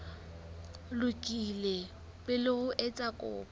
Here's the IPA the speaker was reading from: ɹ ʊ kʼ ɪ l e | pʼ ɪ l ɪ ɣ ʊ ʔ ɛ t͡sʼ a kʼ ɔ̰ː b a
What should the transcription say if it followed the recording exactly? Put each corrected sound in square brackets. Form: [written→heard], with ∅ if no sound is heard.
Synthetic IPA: [ɹ→l] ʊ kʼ [ɪ→i] l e | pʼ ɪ l ɪ ɣ ʊ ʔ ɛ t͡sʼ a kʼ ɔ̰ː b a